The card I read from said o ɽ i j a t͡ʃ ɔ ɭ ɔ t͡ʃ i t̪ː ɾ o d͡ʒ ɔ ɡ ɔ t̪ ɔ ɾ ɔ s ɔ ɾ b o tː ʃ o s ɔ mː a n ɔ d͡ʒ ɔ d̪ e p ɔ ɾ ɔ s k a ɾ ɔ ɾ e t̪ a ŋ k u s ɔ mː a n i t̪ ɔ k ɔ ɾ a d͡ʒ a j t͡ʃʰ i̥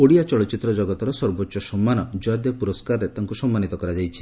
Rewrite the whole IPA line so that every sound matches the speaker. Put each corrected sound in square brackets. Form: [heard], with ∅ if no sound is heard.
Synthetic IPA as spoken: o ɽ i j a t͡ʃ ɔ ɭ ɔ t͡ʃ i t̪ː ɾ [ɔ] d͡ʒ ɔ ɡ ɔ t̪ ɔ ɾ ɔ s ɔ ɾ b o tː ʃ [ɔ] s ɔ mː a n ɔ d͡ʒ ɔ d̪ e p [u] ɾ ɔ s k a ɾ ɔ ɾ e t̪ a ŋ k u s ɔ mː a n i t̪ ɔ k ɔ ɾ a d͡ʒ a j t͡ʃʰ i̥